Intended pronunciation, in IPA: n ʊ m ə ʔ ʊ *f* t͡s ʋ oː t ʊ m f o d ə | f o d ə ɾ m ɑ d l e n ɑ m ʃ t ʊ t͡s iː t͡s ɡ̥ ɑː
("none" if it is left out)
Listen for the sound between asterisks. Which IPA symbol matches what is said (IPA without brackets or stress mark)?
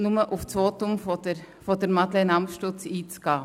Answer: f